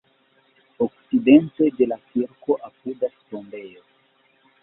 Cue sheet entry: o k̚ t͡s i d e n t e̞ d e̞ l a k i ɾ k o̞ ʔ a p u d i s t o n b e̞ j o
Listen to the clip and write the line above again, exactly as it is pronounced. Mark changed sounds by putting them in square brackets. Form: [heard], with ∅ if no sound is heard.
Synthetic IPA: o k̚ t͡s i d e n t e̞ d e̞ l a k i ɾ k o̞ ʔ a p u d [a] s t o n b e̞ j o